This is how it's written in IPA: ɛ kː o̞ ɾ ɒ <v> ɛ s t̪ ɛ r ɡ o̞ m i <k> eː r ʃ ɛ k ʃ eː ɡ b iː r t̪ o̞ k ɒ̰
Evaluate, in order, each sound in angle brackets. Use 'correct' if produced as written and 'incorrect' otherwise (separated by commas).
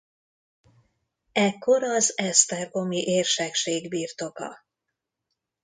incorrect, incorrect